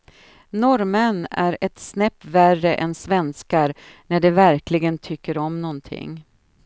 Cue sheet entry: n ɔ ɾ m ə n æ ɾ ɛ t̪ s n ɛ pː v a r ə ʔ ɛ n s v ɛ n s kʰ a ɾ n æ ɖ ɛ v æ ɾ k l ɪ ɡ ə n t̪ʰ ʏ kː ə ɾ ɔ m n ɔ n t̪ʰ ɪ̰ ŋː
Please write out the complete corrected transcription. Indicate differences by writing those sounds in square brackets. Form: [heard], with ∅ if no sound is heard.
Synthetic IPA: n ɔ ɾ m ə n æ ɾ ɛ t̪ s n ɛ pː v [æ] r ə ʔ ɛ n s v ɛ n s [k] a ɾ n æ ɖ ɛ v æ ɾ k l ɪ ɡ ə n t̪ʰ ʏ kː ə ɾ ɔ m n ɔ n t̪ʰ ɪ̰ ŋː